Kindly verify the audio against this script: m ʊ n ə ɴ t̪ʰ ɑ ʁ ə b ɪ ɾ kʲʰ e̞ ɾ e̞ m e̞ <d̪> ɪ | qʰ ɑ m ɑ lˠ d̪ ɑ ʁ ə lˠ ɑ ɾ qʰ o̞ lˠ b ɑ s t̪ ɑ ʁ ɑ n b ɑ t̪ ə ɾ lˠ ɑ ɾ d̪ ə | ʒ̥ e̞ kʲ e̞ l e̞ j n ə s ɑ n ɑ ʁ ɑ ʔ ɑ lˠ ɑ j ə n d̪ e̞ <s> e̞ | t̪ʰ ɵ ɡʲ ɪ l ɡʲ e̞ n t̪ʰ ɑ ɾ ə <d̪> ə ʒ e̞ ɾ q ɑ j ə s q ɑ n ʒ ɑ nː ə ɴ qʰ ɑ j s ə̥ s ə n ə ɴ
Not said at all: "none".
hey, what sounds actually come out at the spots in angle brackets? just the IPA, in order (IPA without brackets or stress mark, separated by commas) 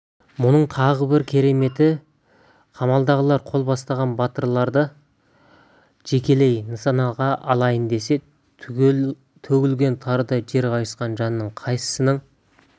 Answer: t̪, s, d̪